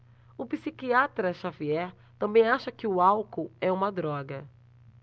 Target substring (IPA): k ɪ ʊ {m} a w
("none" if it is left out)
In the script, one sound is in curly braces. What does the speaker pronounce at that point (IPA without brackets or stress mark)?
none